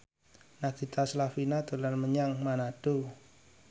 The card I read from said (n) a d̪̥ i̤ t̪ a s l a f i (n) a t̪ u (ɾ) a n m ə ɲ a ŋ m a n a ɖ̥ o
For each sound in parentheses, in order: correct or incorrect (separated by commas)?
correct, correct, incorrect